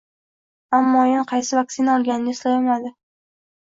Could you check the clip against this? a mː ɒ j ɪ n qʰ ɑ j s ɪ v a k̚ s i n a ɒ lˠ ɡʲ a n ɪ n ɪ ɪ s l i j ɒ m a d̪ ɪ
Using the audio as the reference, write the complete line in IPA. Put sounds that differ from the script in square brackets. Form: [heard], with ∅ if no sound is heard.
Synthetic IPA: a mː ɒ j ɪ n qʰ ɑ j s ɪ v a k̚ s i n a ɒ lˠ ɡʲ a n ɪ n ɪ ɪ s l [a] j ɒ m a d̪ ɪ